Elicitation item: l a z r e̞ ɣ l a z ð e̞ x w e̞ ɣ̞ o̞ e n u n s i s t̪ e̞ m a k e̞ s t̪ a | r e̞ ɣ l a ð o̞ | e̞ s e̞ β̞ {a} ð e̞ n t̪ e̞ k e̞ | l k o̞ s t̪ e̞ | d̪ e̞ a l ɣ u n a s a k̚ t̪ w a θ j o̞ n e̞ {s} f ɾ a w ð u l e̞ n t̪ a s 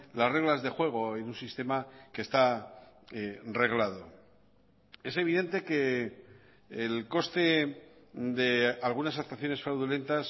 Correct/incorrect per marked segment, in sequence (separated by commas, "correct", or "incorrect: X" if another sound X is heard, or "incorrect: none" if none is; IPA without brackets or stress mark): incorrect: i, correct